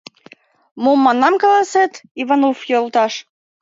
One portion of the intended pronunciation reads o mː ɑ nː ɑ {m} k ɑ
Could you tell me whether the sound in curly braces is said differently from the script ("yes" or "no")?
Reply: no